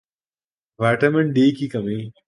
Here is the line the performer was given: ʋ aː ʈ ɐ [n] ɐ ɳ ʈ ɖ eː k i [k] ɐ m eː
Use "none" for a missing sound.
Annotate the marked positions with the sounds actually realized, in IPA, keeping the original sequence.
m, k

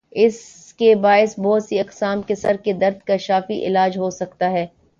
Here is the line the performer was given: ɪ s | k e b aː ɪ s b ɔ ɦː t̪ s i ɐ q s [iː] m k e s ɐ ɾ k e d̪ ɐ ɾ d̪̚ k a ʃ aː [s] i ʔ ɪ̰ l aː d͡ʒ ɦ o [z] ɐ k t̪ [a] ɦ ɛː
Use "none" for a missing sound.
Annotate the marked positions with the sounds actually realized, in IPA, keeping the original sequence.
aː, f, s, a

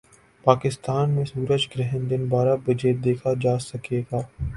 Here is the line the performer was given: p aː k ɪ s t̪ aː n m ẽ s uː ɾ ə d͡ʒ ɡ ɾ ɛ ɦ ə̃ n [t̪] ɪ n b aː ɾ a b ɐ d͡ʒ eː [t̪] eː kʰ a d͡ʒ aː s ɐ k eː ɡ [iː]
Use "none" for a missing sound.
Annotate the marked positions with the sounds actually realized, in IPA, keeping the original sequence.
d̪, d̪, aː

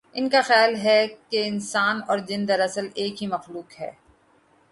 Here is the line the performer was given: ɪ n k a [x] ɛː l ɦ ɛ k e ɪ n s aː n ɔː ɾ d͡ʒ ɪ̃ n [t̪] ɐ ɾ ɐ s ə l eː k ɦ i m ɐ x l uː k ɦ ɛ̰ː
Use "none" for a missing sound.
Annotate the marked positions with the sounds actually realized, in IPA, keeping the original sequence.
x, d̪

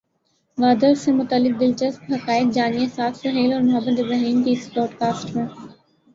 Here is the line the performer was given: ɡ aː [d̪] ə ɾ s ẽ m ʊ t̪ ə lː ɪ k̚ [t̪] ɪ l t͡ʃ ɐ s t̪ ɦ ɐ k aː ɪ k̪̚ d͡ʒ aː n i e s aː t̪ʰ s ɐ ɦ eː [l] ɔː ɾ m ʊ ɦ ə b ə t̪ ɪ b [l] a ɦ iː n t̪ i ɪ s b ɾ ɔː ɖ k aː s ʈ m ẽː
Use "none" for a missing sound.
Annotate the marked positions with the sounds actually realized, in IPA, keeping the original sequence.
d̪, d̪, l, ɾ

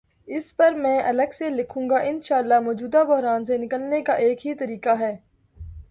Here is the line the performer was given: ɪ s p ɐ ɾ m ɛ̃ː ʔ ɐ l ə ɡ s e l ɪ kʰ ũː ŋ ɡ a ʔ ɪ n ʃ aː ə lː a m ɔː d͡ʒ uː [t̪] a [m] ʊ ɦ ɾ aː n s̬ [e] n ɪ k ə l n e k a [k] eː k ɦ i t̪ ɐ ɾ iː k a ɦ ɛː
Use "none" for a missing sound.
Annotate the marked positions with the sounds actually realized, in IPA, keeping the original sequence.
d̪, b, e, ʔ

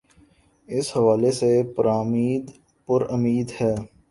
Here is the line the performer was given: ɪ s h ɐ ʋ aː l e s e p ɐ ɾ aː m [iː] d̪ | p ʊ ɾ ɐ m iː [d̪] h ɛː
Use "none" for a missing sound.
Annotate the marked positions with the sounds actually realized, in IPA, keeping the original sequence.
iː, d̪

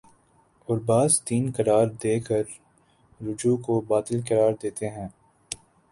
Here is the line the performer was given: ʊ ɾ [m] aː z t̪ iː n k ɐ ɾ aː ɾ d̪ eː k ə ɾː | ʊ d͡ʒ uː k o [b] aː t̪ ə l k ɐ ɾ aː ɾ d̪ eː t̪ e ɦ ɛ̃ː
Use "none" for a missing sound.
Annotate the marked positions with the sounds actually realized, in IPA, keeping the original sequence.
b, b

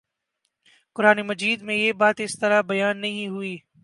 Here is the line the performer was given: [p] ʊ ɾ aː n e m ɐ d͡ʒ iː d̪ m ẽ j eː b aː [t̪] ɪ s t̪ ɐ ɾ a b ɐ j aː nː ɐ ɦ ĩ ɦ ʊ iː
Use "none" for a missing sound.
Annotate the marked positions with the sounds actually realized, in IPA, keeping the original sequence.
k, t̪

